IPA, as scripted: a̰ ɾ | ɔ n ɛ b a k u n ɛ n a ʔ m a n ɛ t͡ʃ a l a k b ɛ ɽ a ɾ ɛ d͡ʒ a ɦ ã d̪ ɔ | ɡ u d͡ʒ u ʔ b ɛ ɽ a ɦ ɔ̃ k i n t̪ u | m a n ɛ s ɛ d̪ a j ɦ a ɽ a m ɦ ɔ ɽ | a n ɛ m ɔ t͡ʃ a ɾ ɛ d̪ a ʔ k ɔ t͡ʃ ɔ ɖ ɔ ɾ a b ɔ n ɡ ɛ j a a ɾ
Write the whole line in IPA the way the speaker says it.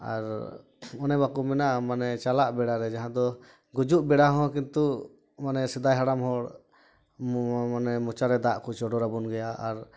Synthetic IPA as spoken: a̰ ɾ | ɔ n ɛ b a k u m ɛ n a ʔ m a n ɛ t͡ʃ a l a ʔ b ɛ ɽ a ɾ ɛ d͡ʒ a ɦ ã d̪ ɔ | ɡ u d͡ʒ u ʔ b ɛ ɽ a ɦ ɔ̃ k i n t̪ u | m a n ɛ s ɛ d̪ a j ɦ a ɽ a m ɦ ɔ ɽ | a n ɛ m ɔ t͡ʃ a ɾ ɛ d̪ a ʔ k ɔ t͡ʃ ɔ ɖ ɔ ɾ a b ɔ n ɡ ɛ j a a ɾ